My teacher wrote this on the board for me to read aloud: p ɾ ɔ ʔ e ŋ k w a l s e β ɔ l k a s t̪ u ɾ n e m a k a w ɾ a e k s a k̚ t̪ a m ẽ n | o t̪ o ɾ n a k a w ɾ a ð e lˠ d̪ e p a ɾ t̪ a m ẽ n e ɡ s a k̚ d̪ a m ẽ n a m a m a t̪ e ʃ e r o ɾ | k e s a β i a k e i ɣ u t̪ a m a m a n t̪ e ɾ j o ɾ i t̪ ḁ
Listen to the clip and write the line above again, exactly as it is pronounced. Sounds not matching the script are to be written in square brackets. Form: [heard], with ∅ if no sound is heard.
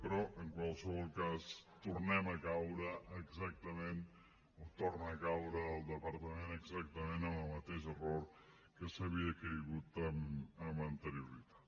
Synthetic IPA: p ɾ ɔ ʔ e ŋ k w a l s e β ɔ l k a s t̪ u ɾ n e m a k a w ɾ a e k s a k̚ t̪ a m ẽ n | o t̪ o ɾ n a k a w ɾ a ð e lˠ d̪ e p a ɾ t̪ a m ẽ n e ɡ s a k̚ [t̪] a m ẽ n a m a m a t̪ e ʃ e r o ɾ | k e s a β i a k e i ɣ u t̪ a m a m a n t̪ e ɾ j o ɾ i t̪ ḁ